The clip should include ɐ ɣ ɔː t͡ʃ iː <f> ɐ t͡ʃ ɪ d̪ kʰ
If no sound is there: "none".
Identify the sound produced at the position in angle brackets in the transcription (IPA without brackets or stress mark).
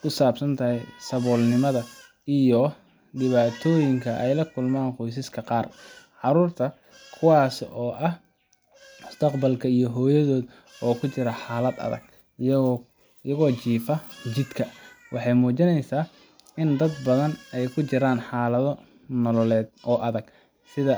f